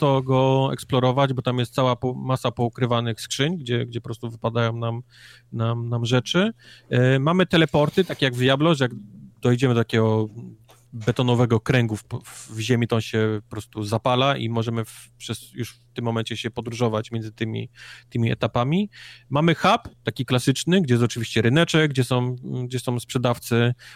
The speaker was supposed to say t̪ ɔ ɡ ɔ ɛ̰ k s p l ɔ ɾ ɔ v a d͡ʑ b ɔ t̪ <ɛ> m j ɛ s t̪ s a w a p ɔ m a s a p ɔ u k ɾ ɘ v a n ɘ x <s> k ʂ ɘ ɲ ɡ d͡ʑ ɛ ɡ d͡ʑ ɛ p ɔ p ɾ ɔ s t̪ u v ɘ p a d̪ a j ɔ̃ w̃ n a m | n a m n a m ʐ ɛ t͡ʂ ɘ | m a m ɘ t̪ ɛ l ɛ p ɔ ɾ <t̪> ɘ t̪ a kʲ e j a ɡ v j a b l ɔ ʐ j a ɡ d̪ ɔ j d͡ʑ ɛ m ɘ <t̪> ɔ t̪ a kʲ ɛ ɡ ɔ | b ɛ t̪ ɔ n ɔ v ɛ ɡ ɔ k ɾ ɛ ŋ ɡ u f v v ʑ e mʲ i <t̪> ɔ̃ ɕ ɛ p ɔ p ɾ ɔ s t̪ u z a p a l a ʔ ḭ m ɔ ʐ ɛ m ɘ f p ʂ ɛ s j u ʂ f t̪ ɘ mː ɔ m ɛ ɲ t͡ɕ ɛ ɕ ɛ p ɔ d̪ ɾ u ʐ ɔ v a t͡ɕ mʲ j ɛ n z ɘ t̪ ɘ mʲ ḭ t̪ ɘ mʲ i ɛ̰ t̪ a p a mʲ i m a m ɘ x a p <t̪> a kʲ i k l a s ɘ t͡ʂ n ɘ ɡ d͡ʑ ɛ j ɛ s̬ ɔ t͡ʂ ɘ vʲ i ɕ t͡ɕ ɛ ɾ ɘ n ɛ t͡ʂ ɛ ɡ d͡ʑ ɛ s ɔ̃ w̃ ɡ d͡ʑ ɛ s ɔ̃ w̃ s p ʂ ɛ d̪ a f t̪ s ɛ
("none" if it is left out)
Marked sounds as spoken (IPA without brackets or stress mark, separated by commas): a, s, t̪, d̪, t̪, t̪